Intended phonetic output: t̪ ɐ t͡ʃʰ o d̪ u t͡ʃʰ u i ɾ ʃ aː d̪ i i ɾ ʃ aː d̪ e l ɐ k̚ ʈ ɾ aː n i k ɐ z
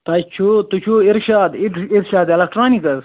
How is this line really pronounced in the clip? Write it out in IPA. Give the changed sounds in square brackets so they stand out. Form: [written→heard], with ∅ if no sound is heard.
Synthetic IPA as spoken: t̪ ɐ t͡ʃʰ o [d̪→t̪] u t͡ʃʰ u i ɾ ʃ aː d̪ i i ɾ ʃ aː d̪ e l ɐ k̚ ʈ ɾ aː n i k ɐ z